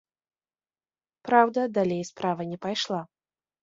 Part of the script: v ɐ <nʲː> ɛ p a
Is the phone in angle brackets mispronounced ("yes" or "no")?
yes